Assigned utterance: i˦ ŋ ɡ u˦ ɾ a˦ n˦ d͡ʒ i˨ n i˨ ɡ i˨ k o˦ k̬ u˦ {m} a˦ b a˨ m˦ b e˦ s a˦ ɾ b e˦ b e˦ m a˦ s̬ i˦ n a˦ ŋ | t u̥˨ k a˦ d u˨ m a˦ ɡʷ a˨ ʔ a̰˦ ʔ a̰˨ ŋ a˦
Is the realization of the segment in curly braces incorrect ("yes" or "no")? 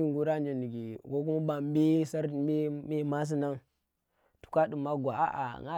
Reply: no